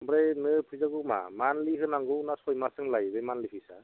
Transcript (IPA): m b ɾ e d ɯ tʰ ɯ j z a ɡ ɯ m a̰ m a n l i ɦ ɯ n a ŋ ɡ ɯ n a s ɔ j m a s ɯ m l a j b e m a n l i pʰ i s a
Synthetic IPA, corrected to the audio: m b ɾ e n ɯ pʰ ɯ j z a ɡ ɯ m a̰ m a n l i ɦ ɯ n a ŋ ɡ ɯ n a s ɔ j m a s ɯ ŋ l a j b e m a n l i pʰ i s a